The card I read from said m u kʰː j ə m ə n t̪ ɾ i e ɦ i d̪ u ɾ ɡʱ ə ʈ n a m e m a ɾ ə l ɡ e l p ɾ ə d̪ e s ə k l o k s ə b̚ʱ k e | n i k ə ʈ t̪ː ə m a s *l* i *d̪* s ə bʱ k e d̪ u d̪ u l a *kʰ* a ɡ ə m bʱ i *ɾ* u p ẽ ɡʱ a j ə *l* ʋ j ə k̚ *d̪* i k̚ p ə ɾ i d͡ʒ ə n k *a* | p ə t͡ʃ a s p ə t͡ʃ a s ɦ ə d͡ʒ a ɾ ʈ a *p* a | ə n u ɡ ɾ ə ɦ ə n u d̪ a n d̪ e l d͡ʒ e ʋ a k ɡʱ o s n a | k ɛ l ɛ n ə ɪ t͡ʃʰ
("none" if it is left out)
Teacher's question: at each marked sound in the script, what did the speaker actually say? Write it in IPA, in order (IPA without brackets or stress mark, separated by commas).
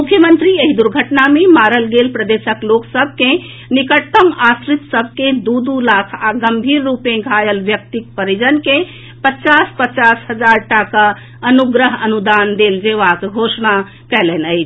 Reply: ɾ, t̪, kʰ, ɾː, l, t̪, e, k